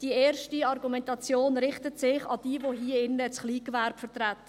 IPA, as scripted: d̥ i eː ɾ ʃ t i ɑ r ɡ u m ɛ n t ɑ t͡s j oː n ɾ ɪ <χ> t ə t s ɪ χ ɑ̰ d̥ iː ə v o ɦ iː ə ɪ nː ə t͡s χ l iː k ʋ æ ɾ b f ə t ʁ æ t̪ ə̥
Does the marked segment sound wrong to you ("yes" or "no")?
no